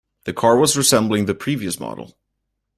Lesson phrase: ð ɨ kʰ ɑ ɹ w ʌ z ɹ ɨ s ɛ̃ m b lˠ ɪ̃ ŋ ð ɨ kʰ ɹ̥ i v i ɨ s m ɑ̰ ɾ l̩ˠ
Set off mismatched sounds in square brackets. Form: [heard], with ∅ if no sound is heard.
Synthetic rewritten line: ð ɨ kʰ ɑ ɹ w ʌ z ɹ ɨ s ɛ̃ m b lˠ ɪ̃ ŋ ð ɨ [pʰ] ɹ̥ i v i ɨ s m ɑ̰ ɾ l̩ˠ